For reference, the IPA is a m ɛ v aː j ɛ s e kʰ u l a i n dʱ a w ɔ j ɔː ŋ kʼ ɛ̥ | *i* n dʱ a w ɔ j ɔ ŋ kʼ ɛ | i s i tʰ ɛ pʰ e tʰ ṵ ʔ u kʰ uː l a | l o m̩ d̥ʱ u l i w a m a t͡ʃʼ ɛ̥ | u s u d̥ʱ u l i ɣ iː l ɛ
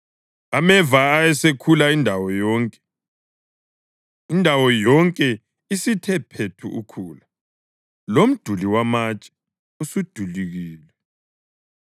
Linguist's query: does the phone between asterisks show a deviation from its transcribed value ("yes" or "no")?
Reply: no